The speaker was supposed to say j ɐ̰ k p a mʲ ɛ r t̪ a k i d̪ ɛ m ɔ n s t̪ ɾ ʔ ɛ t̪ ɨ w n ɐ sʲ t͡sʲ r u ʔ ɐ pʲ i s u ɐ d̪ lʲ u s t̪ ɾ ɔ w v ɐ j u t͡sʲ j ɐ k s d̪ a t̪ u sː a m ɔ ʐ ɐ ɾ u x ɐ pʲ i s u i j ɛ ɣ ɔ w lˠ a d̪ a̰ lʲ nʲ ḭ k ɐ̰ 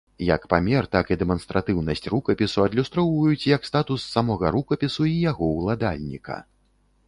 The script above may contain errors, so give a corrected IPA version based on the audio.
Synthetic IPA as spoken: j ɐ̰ k p a mʲ ɛ r t̪ a k i d̪ ɛ m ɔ n s t̪ ɾ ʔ a t̪ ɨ w n ɐ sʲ t͡sʲ r u k ɐ pʲ i s u ɐ d̪ lʲ u s t̪ ɾ ɔ w v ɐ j u t͡sʲ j ɐ k s t̪ a t̪ u sː a m ɔ ɣ ɐ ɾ u k ɐ pʲ i s u i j a ɣ ɔ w lˠ a d̪ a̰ lʲ nʲ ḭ k ɐ̰